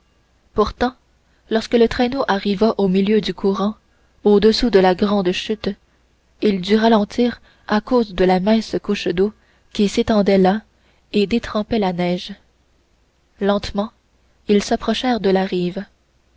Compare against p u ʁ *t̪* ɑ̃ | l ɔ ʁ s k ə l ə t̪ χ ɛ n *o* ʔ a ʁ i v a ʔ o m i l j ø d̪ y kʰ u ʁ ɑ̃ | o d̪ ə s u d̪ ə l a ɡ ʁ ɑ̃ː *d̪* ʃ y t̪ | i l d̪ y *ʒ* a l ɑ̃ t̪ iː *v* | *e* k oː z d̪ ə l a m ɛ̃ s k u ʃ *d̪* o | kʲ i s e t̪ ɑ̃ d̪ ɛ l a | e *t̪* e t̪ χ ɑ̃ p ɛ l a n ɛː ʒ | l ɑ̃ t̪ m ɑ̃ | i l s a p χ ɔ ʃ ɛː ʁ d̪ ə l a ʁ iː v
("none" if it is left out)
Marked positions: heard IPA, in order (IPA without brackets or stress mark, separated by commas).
t̪, o, d̪, ʁ, ʁ, a, d̪, d̪